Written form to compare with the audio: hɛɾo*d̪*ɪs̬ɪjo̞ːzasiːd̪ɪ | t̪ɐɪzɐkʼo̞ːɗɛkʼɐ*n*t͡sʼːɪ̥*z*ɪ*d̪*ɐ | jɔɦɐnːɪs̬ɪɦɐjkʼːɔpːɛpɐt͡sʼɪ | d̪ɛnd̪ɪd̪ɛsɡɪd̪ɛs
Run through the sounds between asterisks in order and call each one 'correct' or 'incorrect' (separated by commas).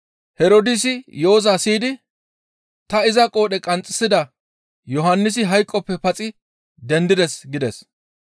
correct, correct, incorrect, correct